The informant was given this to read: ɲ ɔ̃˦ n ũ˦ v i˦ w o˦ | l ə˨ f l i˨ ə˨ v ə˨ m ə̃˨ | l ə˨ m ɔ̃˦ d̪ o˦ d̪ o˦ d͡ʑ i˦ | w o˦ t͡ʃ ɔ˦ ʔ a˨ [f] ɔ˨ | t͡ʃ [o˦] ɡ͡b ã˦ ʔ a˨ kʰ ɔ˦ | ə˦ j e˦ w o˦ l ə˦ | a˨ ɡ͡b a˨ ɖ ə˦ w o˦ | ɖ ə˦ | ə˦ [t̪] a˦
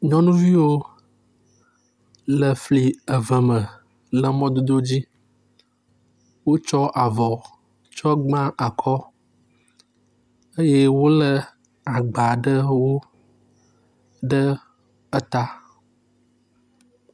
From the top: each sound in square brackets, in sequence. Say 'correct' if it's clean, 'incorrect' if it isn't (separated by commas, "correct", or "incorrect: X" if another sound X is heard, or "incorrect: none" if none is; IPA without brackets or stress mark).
incorrect: v, incorrect: ɔ˦, correct